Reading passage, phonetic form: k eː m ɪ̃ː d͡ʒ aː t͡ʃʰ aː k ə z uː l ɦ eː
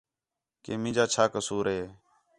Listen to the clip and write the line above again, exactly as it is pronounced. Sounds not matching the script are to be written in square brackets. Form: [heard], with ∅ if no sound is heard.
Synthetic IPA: k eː m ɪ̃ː d͡ʒ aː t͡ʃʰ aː k ə [s] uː [ɾ] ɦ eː